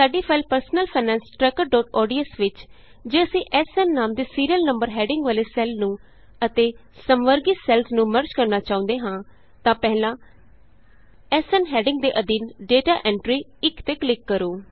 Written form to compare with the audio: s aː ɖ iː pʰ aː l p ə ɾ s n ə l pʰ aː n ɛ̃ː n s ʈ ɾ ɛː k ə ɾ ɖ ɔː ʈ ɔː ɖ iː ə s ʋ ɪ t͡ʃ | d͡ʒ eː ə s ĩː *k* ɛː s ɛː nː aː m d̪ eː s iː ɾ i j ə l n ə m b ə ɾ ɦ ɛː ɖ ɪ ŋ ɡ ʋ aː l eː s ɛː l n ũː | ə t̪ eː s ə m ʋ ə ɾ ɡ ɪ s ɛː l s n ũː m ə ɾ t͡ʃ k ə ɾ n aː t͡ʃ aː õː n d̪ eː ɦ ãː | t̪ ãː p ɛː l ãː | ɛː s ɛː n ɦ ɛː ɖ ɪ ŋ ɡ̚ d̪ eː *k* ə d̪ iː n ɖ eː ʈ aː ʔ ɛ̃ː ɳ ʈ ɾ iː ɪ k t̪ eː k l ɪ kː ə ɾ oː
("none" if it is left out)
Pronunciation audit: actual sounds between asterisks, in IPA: ʔ, ʔ

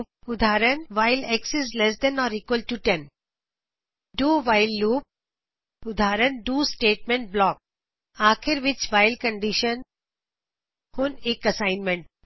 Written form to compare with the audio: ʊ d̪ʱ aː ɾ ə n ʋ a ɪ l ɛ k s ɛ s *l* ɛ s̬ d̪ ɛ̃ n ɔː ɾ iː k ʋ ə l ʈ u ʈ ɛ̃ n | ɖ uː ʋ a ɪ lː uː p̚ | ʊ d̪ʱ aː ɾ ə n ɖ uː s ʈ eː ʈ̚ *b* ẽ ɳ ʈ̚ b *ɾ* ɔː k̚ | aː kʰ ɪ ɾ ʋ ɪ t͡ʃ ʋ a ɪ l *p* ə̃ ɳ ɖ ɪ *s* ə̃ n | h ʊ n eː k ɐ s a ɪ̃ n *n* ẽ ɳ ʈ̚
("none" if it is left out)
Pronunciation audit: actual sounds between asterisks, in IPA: l, m, l, k, ʃ, m

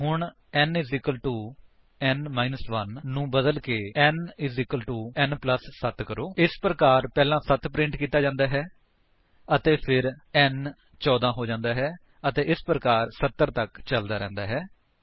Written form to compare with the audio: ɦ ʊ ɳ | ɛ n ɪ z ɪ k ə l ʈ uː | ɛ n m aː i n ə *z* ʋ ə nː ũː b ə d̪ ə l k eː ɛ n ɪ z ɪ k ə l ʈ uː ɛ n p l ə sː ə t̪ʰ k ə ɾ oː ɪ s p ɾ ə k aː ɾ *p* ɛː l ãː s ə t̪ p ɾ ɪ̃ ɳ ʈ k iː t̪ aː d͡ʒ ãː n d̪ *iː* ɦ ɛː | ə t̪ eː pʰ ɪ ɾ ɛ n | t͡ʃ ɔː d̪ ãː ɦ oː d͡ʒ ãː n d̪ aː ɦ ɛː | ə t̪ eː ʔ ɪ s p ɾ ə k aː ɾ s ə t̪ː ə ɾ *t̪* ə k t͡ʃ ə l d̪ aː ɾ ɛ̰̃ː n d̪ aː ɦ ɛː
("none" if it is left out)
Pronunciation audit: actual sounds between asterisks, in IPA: s, p, aː, t̪

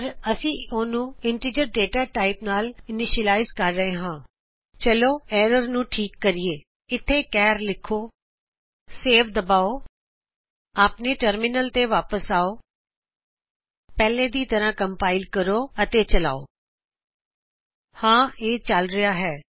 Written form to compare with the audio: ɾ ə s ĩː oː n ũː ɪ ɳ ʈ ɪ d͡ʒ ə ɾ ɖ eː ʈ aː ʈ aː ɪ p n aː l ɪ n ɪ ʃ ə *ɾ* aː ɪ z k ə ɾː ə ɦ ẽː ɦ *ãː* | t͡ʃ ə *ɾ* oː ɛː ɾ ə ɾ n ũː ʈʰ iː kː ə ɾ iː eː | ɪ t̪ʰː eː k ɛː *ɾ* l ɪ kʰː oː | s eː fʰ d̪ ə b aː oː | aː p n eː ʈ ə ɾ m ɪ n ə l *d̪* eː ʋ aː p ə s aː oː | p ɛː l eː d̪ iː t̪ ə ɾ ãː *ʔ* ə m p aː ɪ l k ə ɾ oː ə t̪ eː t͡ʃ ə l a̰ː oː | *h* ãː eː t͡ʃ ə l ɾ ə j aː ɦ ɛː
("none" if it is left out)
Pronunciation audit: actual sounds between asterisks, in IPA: l, ãː, l, ɾ, t̪, k, h

